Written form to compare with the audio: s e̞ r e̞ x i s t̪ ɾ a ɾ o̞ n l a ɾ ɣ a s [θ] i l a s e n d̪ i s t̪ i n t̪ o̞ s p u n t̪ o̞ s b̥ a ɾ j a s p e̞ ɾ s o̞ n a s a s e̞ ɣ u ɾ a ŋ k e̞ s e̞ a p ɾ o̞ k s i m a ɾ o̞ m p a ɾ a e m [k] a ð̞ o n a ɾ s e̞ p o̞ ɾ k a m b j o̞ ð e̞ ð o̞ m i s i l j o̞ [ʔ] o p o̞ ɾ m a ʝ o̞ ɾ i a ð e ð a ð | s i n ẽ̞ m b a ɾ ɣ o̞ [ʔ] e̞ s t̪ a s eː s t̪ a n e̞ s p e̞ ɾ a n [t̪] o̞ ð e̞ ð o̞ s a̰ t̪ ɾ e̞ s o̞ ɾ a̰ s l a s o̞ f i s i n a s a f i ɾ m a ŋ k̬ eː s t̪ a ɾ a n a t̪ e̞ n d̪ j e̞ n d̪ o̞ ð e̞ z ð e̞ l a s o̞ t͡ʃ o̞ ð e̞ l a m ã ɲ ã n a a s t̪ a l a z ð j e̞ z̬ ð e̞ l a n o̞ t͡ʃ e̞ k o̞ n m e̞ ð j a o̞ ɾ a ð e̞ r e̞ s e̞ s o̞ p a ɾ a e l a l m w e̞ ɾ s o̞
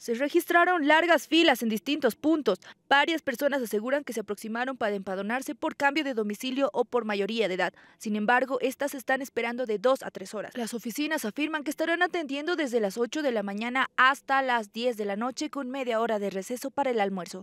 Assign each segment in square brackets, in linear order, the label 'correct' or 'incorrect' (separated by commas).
incorrect, incorrect, correct, correct, incorrect